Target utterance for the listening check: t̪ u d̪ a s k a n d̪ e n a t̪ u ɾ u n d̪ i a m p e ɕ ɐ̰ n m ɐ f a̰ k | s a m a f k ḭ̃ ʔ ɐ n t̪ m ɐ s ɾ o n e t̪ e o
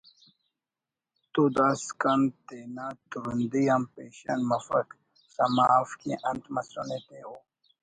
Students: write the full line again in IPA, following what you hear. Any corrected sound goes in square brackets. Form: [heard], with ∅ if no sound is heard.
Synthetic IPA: t̪ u d̪ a s k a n [t̪] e n a t̪ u ɾ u n d̪ i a m p e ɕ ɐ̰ n m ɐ f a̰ k | s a m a f k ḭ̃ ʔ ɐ n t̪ m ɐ s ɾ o n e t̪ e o